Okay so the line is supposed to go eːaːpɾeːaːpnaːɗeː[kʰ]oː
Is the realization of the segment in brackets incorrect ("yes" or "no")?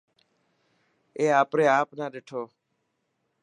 yes